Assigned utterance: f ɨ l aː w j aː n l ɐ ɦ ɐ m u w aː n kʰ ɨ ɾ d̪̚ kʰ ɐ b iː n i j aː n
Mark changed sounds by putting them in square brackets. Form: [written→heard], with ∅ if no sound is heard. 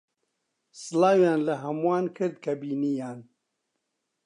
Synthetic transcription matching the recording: [f→s] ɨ l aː w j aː n l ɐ ɦ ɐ m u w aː n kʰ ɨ ɾ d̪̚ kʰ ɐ b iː n i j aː n

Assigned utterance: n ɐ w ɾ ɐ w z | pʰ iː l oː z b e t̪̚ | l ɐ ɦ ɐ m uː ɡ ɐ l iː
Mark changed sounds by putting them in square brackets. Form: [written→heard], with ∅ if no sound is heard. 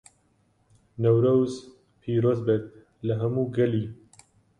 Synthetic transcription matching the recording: n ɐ w ɾ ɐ w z | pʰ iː [l→ɾ] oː z b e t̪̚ | l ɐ ɦ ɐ m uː ɡ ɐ l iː

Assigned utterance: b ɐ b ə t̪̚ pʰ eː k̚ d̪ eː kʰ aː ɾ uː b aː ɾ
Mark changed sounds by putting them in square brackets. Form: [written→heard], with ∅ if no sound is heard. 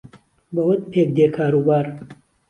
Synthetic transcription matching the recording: b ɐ [b→w] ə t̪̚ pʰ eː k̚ d̪ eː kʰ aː ɾ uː b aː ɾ

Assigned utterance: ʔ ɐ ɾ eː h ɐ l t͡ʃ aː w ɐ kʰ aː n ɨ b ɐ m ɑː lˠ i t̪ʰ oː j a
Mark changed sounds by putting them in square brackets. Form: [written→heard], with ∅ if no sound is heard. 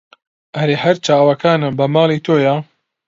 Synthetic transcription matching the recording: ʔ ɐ ɾ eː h ɐ [l→ɾ] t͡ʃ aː w ɐ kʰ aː n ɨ b ɐ m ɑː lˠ i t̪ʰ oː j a

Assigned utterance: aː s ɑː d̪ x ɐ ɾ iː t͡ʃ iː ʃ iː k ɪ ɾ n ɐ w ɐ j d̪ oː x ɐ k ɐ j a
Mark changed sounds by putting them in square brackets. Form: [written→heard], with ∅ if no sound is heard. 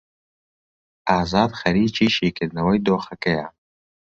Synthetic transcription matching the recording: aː [s→z] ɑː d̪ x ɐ ɾ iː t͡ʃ iː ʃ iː k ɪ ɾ n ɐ w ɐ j d̪ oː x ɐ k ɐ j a

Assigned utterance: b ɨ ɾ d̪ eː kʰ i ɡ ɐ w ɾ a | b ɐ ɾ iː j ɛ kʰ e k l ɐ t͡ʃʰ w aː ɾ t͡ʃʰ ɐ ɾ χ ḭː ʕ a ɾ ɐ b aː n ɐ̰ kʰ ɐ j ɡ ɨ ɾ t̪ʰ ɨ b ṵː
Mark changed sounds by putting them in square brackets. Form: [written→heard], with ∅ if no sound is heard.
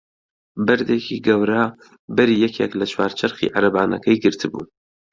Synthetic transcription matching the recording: b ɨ ɾ d̪ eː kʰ i ɡ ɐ w ɾ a | b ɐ ɾ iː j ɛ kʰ e k l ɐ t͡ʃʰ w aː ɾ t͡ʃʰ ɐ ɾ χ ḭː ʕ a ɾ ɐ b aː n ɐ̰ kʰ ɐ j ɡ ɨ ɾ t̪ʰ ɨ b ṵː

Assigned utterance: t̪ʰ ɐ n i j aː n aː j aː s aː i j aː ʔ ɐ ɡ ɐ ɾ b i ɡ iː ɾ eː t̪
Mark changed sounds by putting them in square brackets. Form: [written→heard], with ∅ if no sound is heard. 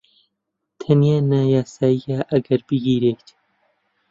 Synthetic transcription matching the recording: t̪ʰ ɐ n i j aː n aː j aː s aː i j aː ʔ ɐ ɡ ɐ ɾ b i ɡ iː ɾ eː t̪

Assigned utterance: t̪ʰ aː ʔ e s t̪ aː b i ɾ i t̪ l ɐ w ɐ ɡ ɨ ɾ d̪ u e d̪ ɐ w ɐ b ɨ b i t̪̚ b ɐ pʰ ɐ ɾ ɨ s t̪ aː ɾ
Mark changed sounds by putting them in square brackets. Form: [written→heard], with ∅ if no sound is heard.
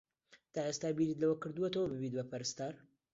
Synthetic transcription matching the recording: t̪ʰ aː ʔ e s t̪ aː b i ɾ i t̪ l ɐ w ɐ [ɡ→k] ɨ ɾ d̪ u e [d̪→t̪] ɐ w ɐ b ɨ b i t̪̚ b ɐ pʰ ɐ ɾ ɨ s t̪ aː ɾ

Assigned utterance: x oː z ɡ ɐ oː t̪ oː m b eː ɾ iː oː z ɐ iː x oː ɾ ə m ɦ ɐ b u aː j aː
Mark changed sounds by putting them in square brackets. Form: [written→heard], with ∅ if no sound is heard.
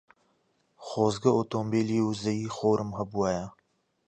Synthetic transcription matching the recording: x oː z ɡ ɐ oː t̪ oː m b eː [ɾ→l] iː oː z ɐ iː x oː ɾ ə m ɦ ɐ b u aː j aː

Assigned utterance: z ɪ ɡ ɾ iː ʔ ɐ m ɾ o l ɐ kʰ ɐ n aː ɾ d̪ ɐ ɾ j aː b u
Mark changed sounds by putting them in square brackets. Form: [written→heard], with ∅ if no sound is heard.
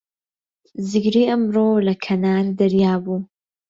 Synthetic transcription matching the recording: z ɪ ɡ ɾ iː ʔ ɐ m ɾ o l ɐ kʰ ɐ n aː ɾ d̪ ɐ ɾ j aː b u

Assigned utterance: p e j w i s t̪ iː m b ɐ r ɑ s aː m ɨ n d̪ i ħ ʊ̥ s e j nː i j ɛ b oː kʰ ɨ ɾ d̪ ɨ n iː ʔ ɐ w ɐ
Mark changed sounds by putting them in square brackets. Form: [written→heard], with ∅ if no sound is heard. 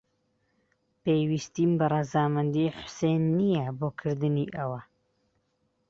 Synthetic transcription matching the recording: p e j w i s t̪ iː m b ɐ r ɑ [s→z] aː m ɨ n d̪ i ħ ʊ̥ s e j nː i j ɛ b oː kʰ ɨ ɾ d̪ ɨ n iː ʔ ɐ w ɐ

